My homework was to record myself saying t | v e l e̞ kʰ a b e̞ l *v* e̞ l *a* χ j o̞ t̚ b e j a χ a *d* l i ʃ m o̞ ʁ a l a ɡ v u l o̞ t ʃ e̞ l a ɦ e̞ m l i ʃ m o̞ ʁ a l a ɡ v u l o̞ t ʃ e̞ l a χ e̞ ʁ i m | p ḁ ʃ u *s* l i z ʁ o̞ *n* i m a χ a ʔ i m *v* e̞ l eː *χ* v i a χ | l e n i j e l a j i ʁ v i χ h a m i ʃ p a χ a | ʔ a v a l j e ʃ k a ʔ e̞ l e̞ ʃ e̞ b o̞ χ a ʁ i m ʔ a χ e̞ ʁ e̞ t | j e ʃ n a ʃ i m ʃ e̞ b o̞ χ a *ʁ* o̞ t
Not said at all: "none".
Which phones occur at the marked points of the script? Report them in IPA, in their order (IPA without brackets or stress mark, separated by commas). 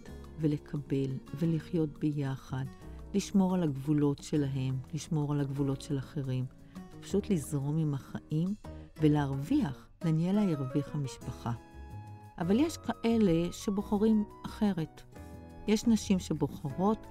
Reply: v, i, d, t, m, v, ʁ, ʁ